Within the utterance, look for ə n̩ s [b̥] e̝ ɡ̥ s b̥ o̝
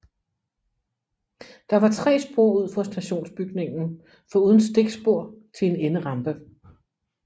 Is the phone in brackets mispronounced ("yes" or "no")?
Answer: yes